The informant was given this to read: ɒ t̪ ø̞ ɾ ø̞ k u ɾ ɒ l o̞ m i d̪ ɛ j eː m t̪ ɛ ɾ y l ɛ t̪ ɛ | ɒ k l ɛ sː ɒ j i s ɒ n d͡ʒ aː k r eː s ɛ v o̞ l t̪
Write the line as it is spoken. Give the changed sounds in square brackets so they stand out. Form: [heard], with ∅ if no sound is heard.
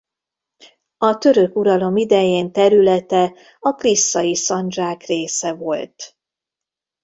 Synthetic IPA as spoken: ɒ t̪ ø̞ ɾ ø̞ k u ɾ ɒ l o̞ m i d̪ ɛ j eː [n] t̪ ɛ ɾ y l ɛ t̪ ɛ | ɒ k l [i] sː ɒ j i s ɒ n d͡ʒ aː k r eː s ɛ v o̞ l t̪